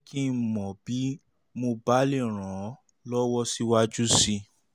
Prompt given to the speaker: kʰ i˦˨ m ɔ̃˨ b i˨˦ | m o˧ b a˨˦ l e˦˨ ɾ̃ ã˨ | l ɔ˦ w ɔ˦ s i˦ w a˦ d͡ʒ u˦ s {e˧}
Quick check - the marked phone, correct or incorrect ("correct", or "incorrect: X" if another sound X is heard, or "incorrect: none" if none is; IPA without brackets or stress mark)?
incorrect: i˧